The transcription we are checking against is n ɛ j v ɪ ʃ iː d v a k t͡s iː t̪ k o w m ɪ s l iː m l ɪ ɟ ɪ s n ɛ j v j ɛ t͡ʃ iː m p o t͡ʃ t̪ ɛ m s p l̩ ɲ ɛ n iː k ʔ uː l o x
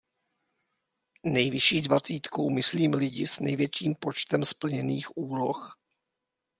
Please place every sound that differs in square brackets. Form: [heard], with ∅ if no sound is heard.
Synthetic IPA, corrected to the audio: n ɛ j v ɪ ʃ iː d v a [∅] t͡s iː t̪ k o w m ɪ s l iː m l ɪ ɟ ɪ s n ɛ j v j ɛ t͡ʃ iː m p o t͡ʃ t̪ ɛ m s p l̩ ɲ ɛ n iː [x] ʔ uː l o x